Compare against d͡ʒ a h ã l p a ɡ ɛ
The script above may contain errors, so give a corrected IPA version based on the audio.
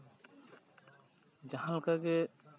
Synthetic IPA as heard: d͡ʒ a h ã l k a ɡ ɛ